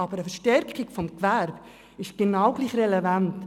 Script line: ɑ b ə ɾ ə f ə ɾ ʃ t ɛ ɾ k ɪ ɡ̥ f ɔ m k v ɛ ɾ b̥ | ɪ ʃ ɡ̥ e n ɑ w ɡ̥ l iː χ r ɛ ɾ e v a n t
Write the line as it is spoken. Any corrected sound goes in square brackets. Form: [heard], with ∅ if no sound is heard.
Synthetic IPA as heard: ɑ b ə ɾ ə f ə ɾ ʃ t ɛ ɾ k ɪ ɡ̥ f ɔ m k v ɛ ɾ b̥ | ɪ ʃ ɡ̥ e n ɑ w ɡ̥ l iː χ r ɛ [l] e v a n t